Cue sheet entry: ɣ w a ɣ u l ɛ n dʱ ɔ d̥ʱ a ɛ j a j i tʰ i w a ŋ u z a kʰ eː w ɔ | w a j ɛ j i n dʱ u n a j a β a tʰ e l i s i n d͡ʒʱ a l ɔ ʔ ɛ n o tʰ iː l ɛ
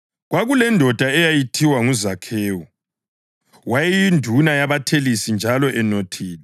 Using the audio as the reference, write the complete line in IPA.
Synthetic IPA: ɣ w a ɣ u l ɛ n dʱ ɔ d̥ʱ a ɛ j a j i tʰ i w a ŋ u z a kʰ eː w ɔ | w a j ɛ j i n dʱ u n a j a β a tʰ e l i s i n d͡ʒʱ a l ɔ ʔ ɛ n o tʰ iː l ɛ